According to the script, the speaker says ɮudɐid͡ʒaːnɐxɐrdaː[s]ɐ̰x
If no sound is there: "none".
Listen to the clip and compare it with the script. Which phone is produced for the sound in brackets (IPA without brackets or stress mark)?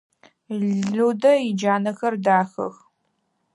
x